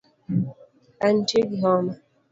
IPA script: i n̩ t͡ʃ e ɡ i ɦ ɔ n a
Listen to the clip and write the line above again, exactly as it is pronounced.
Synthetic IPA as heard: a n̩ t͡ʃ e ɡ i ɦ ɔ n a